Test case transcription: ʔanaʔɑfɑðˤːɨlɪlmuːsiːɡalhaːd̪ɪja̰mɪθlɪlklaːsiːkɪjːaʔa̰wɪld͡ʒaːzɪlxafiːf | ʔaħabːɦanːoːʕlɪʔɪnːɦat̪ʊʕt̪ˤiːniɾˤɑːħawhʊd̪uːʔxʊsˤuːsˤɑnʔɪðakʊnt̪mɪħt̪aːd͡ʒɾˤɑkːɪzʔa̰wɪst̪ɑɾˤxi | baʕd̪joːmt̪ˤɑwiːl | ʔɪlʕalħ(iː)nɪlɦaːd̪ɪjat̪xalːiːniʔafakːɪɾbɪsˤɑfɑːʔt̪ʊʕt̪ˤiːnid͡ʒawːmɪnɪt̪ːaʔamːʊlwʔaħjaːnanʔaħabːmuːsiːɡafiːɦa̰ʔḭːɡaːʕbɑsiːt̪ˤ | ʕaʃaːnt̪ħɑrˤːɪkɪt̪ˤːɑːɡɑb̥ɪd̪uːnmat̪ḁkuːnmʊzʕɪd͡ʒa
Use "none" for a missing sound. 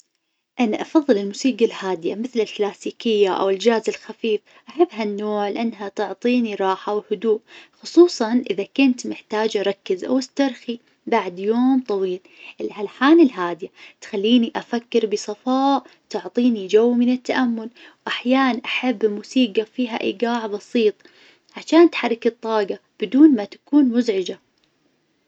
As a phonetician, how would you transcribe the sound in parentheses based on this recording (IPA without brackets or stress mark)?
aː